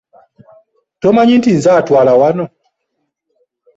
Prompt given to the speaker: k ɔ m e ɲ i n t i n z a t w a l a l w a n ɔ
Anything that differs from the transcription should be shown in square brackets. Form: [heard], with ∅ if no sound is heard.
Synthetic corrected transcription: [t] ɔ m [a] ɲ i n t i n z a t w a l a [∅] w a n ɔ